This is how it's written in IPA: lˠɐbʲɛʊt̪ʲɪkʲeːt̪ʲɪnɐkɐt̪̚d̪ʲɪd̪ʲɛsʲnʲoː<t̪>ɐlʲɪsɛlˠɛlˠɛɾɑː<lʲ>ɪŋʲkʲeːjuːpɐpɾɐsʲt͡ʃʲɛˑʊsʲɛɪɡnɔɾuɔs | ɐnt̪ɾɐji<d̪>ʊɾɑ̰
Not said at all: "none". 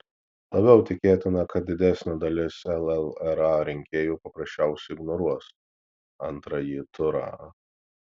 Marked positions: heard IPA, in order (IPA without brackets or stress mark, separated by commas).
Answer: d̪, ɾʲ, t̪